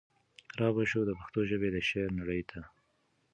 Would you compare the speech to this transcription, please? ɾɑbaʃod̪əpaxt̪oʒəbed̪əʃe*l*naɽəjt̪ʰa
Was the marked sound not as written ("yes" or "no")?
yes